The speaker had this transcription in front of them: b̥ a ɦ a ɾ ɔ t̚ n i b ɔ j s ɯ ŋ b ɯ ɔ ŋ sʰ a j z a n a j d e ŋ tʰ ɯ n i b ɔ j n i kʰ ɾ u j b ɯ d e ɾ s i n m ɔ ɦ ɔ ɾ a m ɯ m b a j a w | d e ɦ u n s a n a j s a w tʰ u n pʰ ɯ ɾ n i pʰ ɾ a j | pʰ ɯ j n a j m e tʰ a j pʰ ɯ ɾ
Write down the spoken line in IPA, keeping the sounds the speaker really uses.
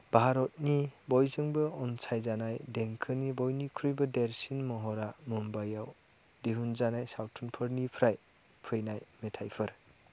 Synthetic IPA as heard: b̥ a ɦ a ɾ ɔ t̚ n i b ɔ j z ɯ ŋ b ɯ ɔ n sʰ a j z a n a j d e ŋ kʰ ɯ n i b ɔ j n i kʰ ɾ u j b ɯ d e ɾ s i n m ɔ ɦ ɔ ɾ a m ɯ m b a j a w | d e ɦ u n z a n a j s a w tʰ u n pʰ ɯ ɾ n i pʰ ɾ a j | pʰ ɯ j n a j m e tʰ a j pʰ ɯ ɾ